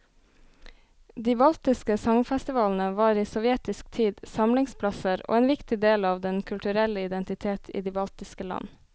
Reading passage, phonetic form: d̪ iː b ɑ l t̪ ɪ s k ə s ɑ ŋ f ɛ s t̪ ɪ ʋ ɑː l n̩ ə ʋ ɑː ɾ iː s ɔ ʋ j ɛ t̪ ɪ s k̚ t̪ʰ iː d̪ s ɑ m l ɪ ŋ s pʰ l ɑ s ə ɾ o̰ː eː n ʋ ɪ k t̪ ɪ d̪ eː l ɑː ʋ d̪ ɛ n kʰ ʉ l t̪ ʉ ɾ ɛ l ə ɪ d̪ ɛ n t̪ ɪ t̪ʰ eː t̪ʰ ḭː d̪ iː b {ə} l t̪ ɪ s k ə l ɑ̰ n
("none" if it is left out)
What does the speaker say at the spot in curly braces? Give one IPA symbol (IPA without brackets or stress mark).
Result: ɑ